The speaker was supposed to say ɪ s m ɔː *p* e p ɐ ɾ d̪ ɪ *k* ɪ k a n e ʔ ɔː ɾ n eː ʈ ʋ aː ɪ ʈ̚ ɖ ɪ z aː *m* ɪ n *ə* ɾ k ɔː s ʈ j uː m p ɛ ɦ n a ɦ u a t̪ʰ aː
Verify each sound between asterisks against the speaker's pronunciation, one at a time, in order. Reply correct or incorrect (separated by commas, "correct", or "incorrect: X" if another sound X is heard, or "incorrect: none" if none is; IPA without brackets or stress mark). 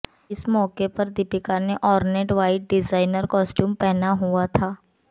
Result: incorrect: k, incorrect: p, incorrect: none, correct